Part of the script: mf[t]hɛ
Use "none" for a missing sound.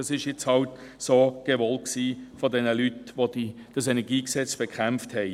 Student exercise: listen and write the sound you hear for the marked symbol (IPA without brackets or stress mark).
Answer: t